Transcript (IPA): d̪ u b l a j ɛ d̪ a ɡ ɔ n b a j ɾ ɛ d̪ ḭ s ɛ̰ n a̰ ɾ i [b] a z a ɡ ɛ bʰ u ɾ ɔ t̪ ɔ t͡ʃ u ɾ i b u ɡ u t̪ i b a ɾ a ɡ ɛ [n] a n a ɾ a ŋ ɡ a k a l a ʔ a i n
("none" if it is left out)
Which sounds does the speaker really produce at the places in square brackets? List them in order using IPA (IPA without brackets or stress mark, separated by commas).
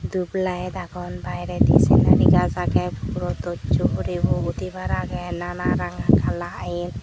ɡ, n